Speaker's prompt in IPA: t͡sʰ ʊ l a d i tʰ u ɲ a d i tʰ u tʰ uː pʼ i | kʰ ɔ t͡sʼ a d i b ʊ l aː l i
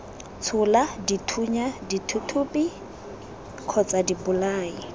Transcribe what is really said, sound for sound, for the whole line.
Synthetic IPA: t͡sʰ ʊ l a d i tʰ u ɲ a d i tʰ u tʰ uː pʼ i | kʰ ɔ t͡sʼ a d i b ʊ l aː i